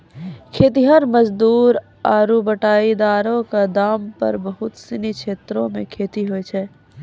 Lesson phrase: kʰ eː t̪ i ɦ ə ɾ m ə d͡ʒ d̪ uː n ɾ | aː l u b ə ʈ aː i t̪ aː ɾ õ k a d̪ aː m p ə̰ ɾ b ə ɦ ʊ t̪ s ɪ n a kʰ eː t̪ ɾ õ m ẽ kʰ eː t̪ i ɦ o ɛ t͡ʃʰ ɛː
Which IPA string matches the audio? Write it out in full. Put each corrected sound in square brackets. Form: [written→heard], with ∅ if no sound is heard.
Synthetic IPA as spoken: kʰ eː t̪ i ɦ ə ɾ m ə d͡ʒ d̪ uː [n→∅] ɾ | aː [l→ɾ] u b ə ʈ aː i [t̪→d̪] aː ɾ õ k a d̪ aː m p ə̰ ɾ b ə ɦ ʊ t̪ s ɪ n [a→i] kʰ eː t̪ ɾ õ m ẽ kʰ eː t̪ i ɦ o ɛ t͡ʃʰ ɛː